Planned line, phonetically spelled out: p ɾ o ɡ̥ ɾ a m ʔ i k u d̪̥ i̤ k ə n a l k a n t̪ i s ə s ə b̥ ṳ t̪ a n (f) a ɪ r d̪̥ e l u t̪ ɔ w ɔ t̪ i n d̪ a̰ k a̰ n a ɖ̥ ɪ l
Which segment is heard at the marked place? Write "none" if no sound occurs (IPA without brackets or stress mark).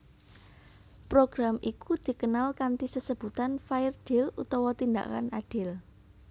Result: f